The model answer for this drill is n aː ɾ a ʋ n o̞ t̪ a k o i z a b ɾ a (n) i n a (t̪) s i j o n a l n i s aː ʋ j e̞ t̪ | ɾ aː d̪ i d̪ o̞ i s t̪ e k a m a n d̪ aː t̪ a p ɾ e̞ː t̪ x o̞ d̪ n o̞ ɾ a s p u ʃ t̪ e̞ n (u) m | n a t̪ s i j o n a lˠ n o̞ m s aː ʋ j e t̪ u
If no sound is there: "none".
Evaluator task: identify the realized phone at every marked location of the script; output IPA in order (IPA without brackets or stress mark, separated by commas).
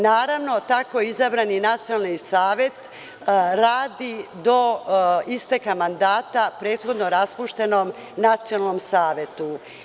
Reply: n, t̪, o